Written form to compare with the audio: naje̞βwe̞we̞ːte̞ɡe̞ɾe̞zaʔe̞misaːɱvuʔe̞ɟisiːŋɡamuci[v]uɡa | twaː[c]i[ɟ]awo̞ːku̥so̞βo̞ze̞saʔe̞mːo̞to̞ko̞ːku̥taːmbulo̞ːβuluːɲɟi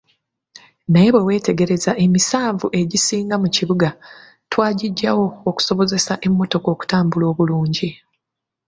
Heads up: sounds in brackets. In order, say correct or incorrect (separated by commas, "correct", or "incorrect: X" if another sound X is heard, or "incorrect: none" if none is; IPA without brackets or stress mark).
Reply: incorrect: β, incorrect: ɟ, incorrect: ɟː